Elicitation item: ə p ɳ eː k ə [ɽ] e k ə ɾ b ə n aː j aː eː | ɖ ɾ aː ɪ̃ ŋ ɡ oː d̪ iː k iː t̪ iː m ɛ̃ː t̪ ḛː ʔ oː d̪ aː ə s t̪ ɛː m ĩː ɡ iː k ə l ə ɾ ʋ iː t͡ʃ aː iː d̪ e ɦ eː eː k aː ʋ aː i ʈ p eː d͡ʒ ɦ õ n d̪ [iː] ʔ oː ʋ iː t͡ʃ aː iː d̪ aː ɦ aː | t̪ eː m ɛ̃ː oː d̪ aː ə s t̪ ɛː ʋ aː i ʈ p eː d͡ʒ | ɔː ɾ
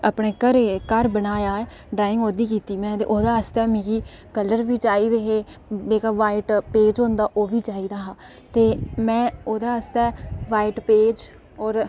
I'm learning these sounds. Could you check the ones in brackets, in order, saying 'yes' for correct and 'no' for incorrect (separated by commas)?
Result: no, no